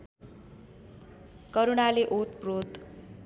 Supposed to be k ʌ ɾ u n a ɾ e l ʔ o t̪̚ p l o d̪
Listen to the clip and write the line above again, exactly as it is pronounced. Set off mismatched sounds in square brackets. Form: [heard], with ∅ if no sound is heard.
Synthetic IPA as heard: k ʌ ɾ u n a [l] e [∅] ʔ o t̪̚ p [r] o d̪